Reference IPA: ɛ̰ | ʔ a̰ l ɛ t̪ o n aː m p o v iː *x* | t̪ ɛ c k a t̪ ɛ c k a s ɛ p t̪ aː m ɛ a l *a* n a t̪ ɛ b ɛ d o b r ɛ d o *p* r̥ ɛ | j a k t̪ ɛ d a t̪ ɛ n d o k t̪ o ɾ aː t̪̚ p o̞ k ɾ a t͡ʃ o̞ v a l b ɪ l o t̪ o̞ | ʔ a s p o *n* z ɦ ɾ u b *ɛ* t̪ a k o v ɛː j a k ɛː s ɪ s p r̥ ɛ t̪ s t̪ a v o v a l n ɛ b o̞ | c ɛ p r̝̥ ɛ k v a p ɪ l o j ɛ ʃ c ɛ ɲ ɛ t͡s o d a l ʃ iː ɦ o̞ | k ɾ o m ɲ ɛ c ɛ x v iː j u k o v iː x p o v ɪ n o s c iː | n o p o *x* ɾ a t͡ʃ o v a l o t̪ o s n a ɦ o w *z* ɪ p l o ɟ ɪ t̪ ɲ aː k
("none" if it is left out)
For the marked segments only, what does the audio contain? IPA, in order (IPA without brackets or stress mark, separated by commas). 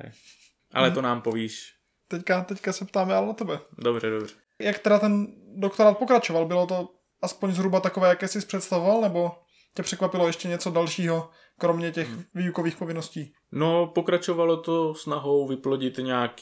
ʃ, ɛ, b, ɲ, a, k, v